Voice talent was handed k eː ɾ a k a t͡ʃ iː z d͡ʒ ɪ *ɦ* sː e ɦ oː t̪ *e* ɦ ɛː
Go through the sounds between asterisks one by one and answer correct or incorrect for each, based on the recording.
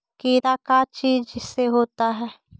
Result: incorrect, incorrect

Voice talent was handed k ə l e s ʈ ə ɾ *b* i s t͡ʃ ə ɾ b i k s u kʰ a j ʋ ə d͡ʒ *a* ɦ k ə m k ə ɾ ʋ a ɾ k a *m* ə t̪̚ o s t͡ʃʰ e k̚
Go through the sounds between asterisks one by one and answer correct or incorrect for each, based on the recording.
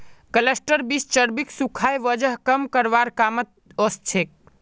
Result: correct, incorrect, correct

